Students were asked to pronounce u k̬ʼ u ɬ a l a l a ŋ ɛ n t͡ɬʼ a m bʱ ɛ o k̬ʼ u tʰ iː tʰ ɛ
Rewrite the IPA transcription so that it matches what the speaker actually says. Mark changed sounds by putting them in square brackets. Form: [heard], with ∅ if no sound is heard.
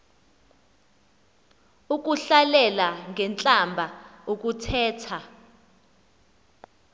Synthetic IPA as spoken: u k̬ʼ u ɬ a l [ɛ] l a ŋ ɛ n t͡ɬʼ a m bʱ [a] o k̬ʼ u tʰ [ɛː] tʰ [a]